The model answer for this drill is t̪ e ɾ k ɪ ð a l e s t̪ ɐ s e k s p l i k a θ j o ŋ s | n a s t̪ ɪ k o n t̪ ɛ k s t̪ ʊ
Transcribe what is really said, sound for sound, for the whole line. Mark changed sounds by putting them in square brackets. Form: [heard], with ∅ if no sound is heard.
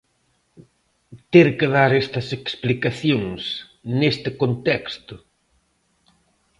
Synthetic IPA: t̪ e ɾ k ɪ ð a [ɾ] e s t̪ ɐ s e k s p l i k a θ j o ŋ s | n [e] s t̪ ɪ k o n t̪ ɛ k s t̪ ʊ